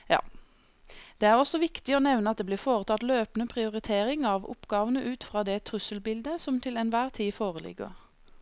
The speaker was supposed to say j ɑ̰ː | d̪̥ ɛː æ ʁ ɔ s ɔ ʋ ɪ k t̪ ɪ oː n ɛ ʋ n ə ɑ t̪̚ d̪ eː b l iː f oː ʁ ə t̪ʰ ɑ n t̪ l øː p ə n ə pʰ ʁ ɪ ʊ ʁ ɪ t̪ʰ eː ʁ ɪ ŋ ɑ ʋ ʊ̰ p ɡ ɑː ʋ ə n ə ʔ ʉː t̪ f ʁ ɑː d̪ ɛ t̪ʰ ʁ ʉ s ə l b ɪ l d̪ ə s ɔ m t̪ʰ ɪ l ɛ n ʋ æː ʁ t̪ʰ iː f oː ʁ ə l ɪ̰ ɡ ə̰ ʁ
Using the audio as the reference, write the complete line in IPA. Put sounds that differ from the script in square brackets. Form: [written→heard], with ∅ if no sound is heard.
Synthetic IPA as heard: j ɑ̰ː | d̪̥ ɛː æ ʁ ɔ s ɔ ʋ ɪ k t̪ ɪ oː n ɛ ʋ n ə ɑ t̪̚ d̪ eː b l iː f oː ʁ ə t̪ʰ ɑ [n→∅] t̪ l øː p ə n ə pʰ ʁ ɪ ʊ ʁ ɪ t̪ʰ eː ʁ ɪ ŋ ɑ ʋ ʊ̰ p ɡ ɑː ʋ ə n ə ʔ ʉː t̪ f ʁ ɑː d̪ ɛ t̪ʰ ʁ ʉ s ə l b ɪ l d̪ ə s ɔ m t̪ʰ ɪ l ɛ n ʋ æː ʁ t̪ʰ iː f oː ʁ ə l ɪ̰ ɡ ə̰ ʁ